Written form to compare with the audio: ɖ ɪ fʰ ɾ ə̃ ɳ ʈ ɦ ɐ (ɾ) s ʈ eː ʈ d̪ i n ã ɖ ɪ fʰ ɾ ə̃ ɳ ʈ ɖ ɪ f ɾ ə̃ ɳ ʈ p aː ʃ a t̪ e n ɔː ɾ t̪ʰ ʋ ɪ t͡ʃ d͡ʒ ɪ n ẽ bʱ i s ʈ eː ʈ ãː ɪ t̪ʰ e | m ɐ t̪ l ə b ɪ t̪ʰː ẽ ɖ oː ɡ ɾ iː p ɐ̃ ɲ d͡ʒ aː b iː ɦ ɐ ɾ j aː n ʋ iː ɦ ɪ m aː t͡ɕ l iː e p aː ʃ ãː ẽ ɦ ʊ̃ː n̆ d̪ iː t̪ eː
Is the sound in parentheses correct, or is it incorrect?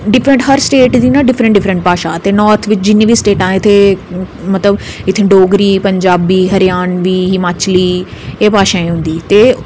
correct